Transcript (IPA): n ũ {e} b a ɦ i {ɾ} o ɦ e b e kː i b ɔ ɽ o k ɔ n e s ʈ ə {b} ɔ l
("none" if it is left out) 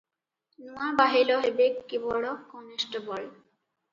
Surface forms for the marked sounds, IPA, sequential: a, l, b

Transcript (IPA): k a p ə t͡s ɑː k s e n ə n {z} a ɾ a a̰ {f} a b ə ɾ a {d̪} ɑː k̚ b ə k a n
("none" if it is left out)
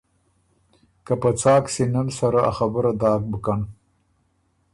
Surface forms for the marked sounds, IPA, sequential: s, x, d̪

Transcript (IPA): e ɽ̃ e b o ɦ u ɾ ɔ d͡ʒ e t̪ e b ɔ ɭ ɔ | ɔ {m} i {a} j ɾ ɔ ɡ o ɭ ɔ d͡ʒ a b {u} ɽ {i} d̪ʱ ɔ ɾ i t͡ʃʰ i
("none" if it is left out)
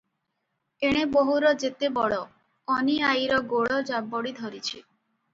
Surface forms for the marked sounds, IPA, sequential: n, a, ɔ, i

